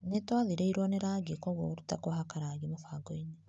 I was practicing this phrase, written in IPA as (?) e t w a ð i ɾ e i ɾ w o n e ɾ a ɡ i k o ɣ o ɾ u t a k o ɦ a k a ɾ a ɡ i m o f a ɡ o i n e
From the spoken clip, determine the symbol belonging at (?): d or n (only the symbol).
n